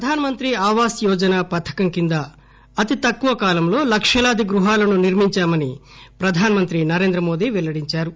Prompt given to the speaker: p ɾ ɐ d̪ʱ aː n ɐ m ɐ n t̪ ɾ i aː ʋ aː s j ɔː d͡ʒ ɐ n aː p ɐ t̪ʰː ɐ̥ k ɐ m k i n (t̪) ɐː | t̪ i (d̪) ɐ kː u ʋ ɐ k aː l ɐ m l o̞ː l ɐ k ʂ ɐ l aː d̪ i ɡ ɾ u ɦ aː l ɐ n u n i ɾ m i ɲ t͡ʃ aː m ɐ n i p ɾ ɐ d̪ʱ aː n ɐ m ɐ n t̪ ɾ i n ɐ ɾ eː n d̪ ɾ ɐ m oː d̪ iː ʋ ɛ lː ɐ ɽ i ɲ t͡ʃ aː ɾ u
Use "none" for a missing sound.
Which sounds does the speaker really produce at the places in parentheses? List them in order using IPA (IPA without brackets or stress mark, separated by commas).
d̪, t̪